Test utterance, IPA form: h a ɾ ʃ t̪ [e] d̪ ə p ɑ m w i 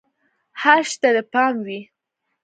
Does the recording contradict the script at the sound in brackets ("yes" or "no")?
yes